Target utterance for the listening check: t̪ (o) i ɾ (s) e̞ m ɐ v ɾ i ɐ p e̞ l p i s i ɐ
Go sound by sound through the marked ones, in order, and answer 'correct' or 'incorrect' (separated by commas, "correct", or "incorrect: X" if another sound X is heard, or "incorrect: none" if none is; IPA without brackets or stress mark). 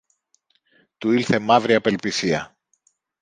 incorrect: u, incorrect: θ